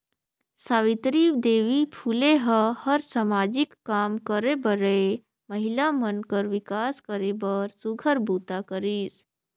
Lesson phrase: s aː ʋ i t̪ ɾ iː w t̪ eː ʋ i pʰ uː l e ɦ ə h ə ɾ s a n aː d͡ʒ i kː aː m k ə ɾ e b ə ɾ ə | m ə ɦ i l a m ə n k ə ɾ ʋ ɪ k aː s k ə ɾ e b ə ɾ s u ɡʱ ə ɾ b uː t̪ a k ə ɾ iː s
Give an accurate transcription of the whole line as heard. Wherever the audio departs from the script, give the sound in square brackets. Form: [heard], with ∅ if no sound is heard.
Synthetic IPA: s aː ʋ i t̪ ɾ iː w [d̪] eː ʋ i pʰ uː l e ɦ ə h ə ɾ s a [m] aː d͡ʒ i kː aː m k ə ɾ e b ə ɾ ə | m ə ɦ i l a m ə n k ə ɾ ʋ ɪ k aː s k ə ɾ e b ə ɾ s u ɡʱ ə ɾ b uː t̪ a k ə ɾ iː s